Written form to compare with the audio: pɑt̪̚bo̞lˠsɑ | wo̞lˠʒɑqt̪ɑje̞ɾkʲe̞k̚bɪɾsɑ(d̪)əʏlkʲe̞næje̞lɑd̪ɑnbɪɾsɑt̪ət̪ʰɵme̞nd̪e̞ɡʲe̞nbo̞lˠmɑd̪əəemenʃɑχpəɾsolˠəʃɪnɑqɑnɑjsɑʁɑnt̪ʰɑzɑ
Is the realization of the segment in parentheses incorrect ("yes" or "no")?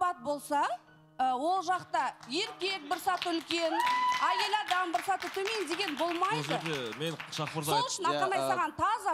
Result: yes